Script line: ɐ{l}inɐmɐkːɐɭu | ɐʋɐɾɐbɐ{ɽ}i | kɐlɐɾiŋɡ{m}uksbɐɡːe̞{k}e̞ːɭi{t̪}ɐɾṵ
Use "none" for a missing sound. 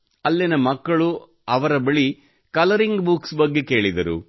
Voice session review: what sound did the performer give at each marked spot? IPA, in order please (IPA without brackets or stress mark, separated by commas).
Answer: lː, ɭ, b, k, d̪